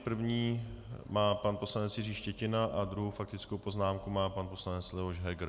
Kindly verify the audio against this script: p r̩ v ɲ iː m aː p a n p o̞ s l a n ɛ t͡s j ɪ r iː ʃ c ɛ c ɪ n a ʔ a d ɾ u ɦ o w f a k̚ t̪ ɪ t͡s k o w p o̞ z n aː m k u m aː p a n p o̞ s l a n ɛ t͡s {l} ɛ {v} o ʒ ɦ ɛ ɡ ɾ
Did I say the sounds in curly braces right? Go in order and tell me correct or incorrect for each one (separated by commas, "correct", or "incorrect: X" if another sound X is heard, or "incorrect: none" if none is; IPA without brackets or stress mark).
correct, correct